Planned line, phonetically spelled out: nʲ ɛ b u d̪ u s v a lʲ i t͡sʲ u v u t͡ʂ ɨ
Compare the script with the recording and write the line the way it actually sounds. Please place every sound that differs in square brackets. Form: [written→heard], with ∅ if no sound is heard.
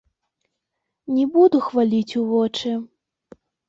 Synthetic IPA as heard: nʲ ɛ b u d̪ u [s→x] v a lʲ i t͡sʲ u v [u→ɔ] t͡ʂ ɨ